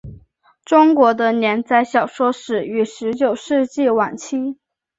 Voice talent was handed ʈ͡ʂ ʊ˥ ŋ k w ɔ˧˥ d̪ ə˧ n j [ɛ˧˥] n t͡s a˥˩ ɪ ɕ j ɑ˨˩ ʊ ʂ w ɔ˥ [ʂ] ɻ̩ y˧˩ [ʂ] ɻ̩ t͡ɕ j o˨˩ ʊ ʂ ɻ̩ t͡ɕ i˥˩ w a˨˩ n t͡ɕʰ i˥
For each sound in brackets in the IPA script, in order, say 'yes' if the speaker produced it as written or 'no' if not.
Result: yes, yes, yes

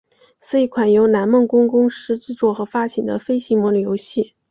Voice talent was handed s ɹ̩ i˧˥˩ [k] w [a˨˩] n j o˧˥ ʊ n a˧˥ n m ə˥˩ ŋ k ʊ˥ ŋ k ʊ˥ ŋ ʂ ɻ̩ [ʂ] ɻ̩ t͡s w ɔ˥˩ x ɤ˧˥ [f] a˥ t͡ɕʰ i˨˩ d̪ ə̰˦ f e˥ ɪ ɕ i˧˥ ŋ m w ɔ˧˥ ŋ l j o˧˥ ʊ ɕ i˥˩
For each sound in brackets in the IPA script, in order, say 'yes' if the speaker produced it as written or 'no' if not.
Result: no, yes, no, yes

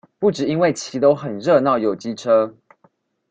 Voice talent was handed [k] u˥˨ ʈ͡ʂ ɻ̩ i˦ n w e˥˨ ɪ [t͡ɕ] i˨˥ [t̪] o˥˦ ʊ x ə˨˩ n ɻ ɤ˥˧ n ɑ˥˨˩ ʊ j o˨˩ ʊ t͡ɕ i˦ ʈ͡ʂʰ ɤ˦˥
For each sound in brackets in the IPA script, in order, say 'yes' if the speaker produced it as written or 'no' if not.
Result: no, no, yes

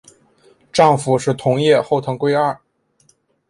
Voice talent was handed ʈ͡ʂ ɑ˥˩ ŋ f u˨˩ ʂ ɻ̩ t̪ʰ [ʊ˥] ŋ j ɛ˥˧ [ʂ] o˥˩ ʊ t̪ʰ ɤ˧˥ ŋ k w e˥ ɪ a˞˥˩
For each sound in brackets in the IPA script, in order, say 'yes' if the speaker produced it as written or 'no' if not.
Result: no, no

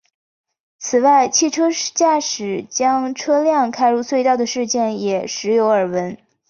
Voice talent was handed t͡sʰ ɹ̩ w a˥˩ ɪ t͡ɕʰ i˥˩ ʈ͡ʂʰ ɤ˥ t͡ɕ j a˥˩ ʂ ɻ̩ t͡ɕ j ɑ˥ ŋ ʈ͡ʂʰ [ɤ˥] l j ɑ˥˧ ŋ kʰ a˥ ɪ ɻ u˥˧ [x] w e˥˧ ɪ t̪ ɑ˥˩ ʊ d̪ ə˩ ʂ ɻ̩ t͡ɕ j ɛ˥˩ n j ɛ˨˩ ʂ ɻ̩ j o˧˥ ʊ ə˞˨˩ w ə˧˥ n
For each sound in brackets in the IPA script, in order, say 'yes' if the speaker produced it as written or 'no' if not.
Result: yes, no

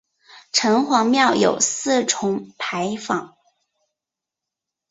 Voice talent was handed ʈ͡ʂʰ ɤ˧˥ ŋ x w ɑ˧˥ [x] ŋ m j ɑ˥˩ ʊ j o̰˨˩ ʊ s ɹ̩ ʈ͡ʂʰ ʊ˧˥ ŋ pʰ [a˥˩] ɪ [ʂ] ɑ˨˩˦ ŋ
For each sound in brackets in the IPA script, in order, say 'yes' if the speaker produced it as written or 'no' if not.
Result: no, no, no

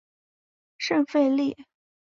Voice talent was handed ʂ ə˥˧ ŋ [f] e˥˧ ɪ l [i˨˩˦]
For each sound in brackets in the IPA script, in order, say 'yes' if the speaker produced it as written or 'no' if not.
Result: yes, no

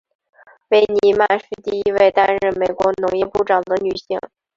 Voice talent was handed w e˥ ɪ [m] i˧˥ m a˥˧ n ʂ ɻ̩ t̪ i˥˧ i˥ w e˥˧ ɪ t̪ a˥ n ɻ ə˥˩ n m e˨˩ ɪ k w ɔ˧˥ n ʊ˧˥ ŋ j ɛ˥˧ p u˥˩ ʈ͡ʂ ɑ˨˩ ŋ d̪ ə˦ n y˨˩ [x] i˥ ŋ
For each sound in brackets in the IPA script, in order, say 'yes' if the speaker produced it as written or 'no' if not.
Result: no, no

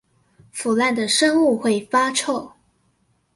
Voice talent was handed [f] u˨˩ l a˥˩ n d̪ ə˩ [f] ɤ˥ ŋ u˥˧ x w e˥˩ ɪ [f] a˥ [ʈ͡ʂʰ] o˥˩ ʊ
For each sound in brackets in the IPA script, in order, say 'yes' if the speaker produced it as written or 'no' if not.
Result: yes, no, yes, yes

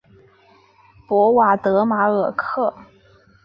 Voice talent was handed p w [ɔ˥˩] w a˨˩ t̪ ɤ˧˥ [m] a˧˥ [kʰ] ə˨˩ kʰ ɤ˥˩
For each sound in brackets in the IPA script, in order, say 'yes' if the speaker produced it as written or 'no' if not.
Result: no, yes, no

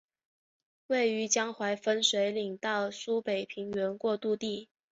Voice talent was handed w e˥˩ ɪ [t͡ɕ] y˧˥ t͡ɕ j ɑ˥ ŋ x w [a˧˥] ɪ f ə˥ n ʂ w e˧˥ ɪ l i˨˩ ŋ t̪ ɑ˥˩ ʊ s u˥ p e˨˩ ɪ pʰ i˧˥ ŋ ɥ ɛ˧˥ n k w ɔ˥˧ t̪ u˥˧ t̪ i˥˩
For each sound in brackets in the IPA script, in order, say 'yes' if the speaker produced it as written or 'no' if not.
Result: no, yes

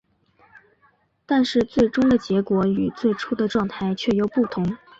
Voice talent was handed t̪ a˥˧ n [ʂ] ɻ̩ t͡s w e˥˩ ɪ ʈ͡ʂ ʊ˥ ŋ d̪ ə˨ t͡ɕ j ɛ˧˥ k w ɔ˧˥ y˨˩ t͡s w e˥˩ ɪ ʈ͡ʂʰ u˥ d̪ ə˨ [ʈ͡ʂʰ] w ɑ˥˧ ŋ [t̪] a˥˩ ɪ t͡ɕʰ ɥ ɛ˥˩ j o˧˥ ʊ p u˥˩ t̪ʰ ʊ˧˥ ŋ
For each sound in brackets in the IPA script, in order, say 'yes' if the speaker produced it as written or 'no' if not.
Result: yes, no, no

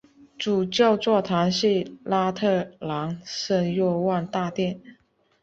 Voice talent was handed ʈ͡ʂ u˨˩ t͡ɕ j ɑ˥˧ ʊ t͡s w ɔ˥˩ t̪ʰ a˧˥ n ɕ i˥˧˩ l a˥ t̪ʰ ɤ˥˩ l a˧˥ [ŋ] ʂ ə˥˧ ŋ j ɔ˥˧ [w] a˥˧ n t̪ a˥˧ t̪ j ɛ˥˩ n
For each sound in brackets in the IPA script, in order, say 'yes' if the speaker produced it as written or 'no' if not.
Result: yes, yes

